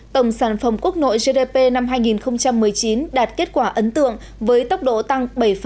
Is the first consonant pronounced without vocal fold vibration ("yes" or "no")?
yes